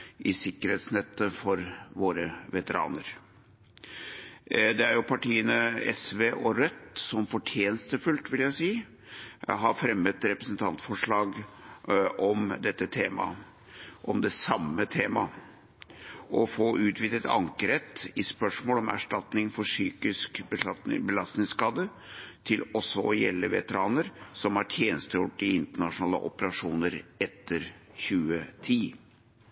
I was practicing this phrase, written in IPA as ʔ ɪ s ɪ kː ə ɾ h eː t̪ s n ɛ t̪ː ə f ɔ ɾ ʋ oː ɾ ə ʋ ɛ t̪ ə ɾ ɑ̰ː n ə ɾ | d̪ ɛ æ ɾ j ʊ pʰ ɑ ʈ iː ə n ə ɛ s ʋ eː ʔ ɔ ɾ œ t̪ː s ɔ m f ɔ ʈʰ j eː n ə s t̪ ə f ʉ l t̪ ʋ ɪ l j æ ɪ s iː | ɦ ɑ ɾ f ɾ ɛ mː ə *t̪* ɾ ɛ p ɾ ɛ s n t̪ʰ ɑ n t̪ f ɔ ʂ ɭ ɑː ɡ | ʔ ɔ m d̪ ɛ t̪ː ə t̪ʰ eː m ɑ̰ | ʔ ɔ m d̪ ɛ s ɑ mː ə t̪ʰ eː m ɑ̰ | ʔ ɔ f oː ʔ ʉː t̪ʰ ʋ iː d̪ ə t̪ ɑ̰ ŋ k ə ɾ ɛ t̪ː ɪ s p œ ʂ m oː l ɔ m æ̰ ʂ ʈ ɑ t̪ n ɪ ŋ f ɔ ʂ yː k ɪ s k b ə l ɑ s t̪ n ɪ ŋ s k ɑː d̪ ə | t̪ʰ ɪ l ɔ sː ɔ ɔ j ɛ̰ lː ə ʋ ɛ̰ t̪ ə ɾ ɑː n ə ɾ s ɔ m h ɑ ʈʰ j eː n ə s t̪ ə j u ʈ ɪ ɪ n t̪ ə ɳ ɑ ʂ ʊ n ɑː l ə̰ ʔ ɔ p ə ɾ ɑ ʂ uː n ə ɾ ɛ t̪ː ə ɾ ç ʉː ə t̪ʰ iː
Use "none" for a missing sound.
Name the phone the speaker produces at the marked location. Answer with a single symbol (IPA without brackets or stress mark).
t̪